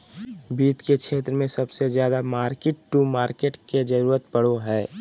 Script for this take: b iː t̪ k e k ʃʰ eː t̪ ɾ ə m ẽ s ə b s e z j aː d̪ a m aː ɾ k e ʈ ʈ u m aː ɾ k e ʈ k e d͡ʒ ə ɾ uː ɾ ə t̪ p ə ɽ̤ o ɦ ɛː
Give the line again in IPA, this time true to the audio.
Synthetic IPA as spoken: b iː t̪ k e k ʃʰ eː t̪ ɾ ə m ẽ s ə b s e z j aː d̪ a m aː ɾ k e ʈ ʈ u m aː ɾ k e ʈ k e d͡ʒ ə ɾ uː ɾ ə t̪ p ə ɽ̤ o ɦ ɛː